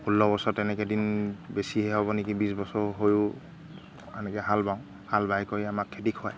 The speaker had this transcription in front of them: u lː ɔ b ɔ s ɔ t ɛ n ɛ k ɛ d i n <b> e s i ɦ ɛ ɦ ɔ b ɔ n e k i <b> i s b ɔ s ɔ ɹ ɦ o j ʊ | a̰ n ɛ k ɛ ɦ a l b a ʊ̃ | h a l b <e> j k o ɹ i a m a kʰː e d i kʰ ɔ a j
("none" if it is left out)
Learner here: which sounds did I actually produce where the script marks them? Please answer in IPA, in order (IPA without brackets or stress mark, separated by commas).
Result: b, b, a